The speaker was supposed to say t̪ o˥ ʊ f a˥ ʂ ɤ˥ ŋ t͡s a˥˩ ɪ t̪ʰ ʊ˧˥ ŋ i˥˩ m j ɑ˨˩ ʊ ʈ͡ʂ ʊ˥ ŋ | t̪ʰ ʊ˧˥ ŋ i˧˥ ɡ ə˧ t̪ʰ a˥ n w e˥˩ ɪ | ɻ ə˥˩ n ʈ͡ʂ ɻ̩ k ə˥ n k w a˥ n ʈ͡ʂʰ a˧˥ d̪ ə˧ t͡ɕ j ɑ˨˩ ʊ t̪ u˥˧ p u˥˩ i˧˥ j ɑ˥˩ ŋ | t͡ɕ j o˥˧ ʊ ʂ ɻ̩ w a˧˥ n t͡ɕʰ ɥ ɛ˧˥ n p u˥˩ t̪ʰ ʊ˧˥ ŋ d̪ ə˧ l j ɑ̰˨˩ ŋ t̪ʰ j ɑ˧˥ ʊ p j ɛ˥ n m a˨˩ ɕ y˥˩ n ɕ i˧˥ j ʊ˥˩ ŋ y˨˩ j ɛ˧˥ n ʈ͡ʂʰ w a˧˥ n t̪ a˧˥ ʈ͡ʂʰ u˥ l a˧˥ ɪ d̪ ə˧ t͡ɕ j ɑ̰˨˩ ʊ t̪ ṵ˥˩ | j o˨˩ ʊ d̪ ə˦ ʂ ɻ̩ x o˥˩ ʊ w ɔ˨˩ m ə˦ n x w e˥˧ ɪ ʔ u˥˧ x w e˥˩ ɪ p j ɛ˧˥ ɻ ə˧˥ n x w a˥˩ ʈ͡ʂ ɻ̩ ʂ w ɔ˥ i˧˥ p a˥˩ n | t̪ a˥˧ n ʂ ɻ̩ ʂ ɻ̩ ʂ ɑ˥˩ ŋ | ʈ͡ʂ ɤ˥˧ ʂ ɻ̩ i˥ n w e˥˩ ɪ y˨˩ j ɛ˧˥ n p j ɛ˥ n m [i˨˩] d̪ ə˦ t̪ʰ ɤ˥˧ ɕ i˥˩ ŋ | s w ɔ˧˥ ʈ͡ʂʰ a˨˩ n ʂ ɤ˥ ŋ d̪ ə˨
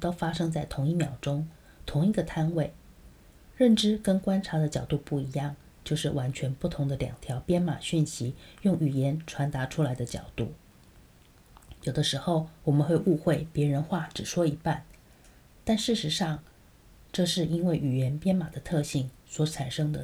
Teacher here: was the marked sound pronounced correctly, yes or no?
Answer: no